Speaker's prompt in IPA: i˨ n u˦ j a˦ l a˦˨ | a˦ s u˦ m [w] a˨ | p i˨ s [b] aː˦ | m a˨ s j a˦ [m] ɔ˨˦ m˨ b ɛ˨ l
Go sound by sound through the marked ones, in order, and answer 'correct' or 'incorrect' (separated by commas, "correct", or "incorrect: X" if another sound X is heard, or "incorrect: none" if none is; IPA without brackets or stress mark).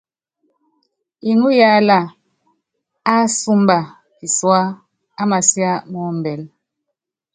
incorrect: b, incorrect: w, correct